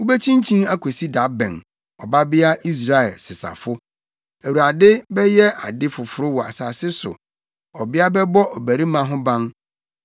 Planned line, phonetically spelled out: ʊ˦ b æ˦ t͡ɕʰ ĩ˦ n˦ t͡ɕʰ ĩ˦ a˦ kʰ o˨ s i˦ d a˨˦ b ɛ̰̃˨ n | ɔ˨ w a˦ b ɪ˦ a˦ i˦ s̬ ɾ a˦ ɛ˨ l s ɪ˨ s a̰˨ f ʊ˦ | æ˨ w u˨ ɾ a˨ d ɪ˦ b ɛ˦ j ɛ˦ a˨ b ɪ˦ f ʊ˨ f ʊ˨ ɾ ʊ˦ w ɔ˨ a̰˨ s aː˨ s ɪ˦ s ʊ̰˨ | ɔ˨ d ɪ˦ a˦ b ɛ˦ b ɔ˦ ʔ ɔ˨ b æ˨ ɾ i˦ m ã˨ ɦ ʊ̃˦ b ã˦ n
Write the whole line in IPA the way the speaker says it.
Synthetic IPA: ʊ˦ b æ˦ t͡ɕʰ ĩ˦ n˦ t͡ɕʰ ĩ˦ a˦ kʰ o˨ s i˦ d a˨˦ b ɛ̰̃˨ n | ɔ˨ b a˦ b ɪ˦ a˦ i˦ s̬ ɾ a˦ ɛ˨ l s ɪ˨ s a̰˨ f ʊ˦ | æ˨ w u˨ ɾ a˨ d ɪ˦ b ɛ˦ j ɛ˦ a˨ d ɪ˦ f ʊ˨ f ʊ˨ ɾ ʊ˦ w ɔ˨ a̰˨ s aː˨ s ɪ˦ s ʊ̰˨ | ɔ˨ b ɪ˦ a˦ b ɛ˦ b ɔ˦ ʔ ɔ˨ b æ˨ ɾ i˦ m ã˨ ɦ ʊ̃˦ b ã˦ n